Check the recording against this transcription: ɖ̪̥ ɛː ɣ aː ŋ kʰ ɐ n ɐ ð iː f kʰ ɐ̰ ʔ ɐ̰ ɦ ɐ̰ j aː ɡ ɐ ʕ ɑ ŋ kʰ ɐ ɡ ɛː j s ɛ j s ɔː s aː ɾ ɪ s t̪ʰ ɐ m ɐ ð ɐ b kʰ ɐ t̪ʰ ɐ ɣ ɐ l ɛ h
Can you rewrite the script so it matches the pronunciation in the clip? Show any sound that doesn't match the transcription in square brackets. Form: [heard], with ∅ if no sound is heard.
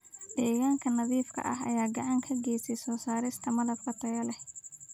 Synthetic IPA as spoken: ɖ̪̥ ɛː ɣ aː ŋ kʰ ɐ n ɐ ð iː f kʰ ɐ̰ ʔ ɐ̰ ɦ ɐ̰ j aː ɡ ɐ ʕ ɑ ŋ kʰ ɐ ɡ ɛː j s ɛ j s ɔː s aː ɾ ɪ s t̪ʰ ɐ m ɐ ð ɐ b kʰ ɐ t̪ʰ ɐ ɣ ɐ l ɛ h